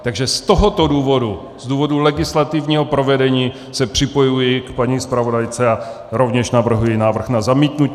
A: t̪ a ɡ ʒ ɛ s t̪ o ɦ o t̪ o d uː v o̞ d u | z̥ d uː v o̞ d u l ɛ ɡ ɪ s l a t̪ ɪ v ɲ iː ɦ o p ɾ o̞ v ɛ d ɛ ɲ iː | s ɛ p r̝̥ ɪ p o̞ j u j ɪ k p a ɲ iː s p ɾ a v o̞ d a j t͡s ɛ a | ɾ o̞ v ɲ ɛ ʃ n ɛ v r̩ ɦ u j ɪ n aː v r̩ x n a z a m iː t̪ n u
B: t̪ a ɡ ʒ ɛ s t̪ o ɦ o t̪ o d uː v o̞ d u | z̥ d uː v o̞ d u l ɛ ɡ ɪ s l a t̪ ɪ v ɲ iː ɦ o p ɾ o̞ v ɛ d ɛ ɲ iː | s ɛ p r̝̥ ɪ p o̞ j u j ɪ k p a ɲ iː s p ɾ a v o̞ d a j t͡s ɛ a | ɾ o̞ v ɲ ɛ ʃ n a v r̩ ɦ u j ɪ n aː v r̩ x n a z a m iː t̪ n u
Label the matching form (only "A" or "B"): B